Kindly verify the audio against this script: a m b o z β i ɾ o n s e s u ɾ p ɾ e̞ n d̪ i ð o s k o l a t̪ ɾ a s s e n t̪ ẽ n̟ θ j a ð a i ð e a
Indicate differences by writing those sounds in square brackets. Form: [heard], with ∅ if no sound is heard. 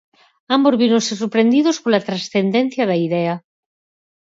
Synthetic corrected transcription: a m b o z β i ɾ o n s e s u ɾ p ɾ e̞ n d̪ i ð o s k o l a t̪ ɾ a s [θ] e n [d̪] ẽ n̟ θ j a ð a i ð e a